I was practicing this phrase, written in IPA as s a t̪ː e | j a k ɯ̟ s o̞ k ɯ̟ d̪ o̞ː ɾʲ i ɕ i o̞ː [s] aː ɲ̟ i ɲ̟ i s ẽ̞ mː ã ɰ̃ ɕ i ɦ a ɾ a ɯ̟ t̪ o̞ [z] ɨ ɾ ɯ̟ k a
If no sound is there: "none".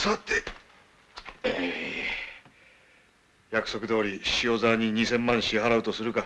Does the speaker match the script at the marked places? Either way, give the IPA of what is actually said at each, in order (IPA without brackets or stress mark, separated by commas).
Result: z, s